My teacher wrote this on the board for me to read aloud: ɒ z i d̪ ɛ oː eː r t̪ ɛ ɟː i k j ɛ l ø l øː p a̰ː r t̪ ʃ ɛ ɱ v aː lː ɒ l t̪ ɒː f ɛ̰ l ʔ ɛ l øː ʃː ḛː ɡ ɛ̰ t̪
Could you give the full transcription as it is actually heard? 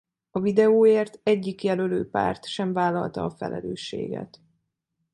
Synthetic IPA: ɒ v i d̪ ɛ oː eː r t̪ ɛ ɟː i k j ɛ l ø l øː p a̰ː r t̪ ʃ ɛ ɱ v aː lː ɒ l t̪ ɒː f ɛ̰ l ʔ ɛ l øː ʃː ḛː ɡ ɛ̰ t̪